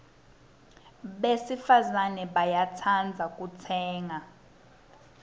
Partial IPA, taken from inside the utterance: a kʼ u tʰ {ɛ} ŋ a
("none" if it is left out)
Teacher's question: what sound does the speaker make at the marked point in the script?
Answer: ɛː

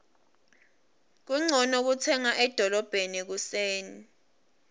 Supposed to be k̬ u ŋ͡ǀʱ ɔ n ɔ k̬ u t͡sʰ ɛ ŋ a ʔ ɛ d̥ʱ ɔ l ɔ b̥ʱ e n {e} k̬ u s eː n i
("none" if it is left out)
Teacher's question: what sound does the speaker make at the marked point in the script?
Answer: i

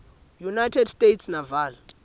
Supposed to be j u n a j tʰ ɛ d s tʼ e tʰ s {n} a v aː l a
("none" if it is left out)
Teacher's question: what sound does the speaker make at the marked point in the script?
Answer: n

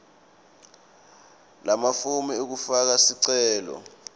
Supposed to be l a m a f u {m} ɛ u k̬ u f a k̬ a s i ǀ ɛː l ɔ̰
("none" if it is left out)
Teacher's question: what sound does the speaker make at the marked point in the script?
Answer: m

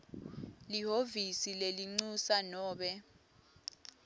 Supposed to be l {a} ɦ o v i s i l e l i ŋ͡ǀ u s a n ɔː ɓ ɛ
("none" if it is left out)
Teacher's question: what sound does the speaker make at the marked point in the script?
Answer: i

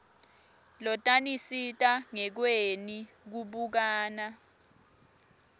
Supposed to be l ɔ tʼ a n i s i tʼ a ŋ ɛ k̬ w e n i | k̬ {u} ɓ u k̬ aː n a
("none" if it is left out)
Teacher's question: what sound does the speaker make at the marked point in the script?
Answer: u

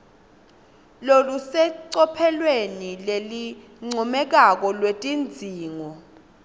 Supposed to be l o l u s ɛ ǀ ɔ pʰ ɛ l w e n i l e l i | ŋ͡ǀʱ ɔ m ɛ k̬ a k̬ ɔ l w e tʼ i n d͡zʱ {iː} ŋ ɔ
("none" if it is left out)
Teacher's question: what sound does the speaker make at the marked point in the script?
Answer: iː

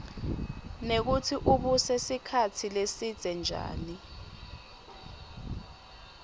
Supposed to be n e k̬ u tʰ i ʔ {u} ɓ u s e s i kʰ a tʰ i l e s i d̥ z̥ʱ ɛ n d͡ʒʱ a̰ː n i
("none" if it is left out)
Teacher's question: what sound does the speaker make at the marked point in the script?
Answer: u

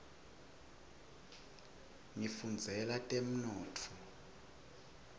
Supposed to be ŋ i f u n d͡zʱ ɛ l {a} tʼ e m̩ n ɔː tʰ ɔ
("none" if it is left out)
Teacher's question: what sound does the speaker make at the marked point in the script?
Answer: a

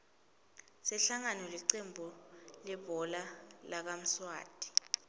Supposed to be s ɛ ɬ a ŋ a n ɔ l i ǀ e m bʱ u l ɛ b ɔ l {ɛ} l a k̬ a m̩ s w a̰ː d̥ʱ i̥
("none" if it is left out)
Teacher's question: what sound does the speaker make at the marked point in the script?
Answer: a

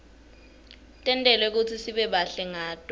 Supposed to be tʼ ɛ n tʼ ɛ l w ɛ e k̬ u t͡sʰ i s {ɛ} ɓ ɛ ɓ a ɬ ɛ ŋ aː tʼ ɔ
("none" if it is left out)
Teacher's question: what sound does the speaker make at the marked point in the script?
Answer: i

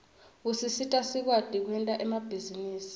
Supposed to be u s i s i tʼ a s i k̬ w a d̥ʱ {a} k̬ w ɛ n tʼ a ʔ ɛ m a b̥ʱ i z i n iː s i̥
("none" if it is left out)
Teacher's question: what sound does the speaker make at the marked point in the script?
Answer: i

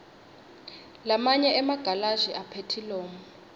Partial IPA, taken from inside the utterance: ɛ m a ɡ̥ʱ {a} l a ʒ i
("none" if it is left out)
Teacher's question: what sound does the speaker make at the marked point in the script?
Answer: a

